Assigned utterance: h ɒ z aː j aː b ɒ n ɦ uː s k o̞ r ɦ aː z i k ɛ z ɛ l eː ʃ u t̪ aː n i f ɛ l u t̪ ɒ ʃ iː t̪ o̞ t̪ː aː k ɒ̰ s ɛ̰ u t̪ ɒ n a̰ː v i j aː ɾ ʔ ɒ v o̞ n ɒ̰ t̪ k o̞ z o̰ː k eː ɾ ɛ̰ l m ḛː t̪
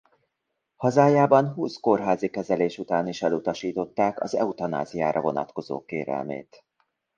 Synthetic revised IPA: h ɒ z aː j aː b ɒ n ɦ uː s k o̞ r ɦ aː z i k ɛ z ɛ l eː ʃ u t̪ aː n i ʃ ɛ l u t̪ ɒ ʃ iː t̪ o̞ t̪ː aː k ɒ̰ z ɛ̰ u t̪ ɒ n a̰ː z i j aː ɾ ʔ ɒ v o̞ n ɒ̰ t̪ k o̞ z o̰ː k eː ɾ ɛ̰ l m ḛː t̪